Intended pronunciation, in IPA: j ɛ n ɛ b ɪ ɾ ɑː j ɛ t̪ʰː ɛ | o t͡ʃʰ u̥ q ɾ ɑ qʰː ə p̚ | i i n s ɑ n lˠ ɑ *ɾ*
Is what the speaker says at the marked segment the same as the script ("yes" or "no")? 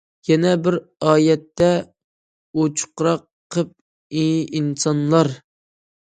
yes